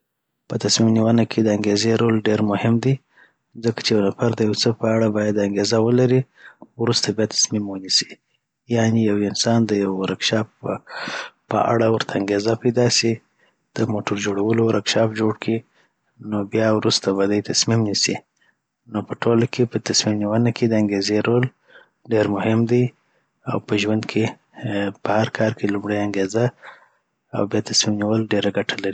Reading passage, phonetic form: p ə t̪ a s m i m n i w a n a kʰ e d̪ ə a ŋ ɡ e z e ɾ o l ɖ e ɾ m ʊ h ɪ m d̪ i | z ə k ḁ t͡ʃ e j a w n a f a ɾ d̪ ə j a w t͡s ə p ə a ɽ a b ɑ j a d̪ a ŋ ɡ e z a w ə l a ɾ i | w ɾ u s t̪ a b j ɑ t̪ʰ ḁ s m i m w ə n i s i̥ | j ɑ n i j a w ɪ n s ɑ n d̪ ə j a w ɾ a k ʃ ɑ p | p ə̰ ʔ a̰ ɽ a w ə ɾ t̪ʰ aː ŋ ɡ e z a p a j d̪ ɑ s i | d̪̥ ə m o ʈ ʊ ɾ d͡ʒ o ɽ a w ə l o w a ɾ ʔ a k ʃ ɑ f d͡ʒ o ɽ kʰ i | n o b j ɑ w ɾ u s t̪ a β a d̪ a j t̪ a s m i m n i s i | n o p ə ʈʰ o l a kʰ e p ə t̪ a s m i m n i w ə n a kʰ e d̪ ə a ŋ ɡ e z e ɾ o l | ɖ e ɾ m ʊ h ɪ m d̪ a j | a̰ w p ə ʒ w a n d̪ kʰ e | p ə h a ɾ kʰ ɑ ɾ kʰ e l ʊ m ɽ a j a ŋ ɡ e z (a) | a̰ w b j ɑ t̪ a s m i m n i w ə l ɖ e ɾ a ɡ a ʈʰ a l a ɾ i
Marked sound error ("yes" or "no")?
no